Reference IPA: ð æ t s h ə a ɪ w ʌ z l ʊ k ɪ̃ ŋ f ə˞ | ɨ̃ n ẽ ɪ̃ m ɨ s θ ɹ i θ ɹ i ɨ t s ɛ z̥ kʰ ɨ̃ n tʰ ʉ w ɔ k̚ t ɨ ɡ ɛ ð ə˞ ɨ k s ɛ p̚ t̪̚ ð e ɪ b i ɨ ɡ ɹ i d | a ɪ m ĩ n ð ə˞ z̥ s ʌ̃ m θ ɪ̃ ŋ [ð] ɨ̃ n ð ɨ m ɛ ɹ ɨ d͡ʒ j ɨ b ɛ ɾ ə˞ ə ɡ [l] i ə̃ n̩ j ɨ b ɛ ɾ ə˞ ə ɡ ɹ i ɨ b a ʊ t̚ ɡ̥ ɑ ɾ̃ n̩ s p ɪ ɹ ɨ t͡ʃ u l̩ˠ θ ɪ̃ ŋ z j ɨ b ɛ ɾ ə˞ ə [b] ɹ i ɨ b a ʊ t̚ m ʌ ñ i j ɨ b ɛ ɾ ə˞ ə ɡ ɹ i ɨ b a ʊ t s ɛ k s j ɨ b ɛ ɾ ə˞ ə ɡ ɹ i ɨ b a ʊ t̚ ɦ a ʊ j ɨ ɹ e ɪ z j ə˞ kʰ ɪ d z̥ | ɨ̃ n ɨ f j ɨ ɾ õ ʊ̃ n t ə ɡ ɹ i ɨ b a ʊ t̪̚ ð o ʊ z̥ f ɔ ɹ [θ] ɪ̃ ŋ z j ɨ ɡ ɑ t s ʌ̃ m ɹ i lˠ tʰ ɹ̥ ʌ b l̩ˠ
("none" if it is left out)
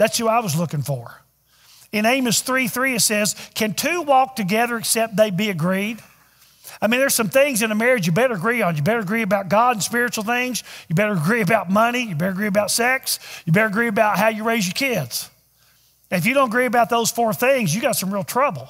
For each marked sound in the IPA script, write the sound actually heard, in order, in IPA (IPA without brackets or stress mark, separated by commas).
z, ɹ, ɡ, θ